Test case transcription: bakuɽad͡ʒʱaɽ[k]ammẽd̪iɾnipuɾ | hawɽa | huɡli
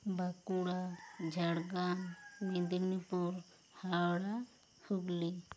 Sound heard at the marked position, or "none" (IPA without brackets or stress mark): ɡ